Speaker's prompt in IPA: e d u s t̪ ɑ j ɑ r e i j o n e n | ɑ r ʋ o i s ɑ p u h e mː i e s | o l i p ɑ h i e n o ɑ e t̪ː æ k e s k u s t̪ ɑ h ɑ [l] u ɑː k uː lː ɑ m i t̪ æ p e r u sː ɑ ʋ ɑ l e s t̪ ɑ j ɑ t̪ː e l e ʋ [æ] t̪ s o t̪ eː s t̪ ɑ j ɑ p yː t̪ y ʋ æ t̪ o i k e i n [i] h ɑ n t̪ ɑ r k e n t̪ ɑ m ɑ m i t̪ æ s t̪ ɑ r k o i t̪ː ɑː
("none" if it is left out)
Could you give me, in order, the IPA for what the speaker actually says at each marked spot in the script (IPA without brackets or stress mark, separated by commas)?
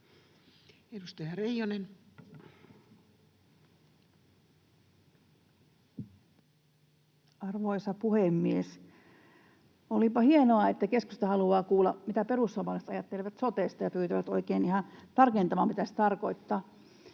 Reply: l, æ, i